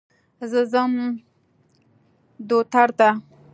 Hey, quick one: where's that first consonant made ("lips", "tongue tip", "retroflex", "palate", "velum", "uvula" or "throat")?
tongue tip